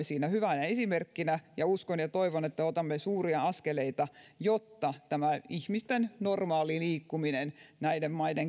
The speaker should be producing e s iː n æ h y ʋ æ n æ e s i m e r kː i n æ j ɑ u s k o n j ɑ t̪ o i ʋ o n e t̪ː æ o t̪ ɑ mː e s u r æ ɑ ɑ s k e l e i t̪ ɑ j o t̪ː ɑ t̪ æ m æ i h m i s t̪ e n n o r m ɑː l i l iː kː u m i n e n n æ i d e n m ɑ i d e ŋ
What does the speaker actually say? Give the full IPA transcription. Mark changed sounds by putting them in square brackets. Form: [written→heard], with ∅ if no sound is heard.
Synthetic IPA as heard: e s iː n æ h y ʋ æ n æ e s i m e r kː i n æ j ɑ u s k o n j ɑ t̪ o i ʋ o n e t̪ː æ o t̪ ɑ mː e s [u→uː] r [æ→i] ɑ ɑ s k e l e i t̪ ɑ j o t̪ː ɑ t̪ æ m æ i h m i s t̪ e n n o r m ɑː l i l iː kː u m i n e n n æ i d e [n→m] m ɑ i d e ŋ